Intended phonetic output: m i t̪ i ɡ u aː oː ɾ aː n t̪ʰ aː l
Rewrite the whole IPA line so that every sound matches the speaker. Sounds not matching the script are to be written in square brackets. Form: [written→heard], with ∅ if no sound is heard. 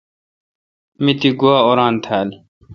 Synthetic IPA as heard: m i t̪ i ɡ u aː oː ɾ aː n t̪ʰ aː l